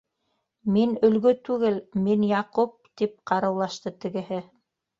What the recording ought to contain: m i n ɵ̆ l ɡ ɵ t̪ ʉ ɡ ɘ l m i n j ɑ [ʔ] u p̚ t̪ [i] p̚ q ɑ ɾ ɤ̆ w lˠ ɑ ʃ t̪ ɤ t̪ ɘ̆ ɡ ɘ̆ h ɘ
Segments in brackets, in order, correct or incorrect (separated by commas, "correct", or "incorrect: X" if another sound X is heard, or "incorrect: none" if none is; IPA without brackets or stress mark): incorrect: q, correct